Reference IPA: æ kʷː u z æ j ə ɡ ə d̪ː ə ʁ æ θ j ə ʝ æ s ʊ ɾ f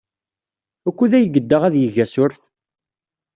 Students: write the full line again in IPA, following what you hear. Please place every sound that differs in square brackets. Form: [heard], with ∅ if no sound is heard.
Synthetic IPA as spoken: æ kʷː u [ð] æ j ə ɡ ə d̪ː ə ʁ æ [ð] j ə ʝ æ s ʊ ɾ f